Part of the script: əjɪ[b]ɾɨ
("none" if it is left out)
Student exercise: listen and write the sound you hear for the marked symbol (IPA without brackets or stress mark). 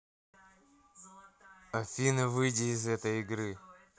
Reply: ɡ